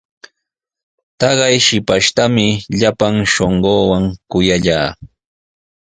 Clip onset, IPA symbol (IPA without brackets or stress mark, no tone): t̪